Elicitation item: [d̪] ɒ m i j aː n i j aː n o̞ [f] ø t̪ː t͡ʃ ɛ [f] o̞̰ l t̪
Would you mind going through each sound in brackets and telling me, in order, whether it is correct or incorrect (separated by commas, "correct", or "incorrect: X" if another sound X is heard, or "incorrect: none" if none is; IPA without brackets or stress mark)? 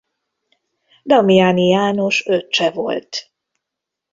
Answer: correct, incorrect: ʃ, incorrect: v